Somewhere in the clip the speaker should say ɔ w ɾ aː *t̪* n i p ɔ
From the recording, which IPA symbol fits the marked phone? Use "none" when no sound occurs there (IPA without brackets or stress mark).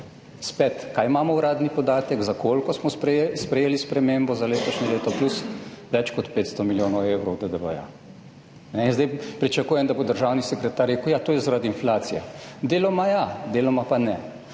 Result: d̪